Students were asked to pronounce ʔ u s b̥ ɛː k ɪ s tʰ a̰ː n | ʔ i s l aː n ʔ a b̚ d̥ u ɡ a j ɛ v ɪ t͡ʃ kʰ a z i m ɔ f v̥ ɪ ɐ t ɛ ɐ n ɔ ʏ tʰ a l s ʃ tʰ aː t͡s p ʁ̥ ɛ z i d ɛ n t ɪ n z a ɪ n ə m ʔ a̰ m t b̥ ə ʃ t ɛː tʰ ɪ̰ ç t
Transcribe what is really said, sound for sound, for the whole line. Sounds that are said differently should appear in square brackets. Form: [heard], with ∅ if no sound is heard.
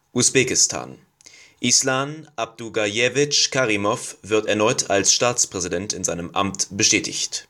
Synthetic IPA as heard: ʔ u s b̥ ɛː k ɪ s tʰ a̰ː n | ʔ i s l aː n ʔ a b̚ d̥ u ɡ a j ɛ v ɪ t͡ʃ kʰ a [ʁ] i m ɔ f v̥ ɪ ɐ t ɛ ɐ n ɔ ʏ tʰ a l s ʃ [t] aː t͡s p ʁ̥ ɛ z i d ɛ n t ɪ n z a ɪ n ə m ʔ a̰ m t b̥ ə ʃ t ɛː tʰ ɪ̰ ç t